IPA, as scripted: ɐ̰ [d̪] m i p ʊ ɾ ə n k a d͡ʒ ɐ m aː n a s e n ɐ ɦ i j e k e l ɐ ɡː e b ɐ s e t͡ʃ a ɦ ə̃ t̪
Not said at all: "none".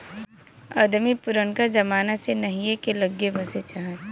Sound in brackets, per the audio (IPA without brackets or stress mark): d̪